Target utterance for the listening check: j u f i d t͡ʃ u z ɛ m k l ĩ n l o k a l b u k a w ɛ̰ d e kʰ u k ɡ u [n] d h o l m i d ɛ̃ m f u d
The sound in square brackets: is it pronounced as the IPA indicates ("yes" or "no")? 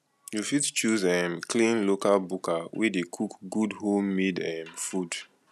no